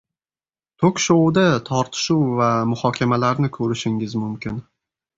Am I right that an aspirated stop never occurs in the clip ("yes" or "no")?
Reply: no